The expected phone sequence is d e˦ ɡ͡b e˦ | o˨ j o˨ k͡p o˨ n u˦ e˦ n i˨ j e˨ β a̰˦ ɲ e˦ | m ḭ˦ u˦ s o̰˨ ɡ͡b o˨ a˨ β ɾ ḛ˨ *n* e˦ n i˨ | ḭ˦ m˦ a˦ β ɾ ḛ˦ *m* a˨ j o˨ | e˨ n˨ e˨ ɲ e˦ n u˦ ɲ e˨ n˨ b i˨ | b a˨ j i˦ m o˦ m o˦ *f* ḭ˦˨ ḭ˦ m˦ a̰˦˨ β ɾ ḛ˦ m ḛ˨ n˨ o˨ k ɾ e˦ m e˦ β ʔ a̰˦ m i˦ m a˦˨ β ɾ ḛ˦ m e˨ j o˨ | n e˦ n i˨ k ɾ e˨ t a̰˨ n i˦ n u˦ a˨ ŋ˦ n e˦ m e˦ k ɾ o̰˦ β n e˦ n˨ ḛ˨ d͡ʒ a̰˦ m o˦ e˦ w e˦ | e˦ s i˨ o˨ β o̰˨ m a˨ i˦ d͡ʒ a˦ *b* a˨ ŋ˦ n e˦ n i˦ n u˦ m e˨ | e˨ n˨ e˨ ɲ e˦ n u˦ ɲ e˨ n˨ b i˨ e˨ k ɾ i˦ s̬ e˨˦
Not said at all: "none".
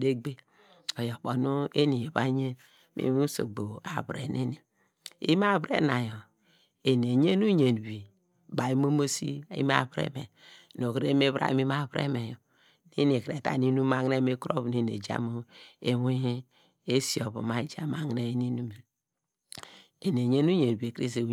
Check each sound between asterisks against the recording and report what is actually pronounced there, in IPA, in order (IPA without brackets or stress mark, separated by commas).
n, n, s, m